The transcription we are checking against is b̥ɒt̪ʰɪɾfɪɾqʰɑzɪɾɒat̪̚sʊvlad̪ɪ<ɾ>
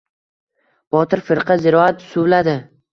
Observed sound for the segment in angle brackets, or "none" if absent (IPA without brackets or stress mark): none